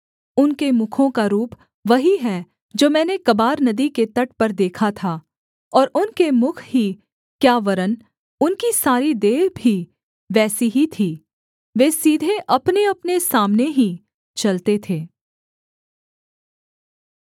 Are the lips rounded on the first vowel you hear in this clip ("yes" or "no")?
yes